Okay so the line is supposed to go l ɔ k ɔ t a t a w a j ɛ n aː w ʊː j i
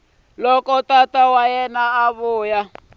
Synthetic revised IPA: l ɔ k ɔ t a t a w a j ɛ n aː β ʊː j a